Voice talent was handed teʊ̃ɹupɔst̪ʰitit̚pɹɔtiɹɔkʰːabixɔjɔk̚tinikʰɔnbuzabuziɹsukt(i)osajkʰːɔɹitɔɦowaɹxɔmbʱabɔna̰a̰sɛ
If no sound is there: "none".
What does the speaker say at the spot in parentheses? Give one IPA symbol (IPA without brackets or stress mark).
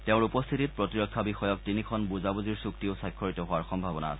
i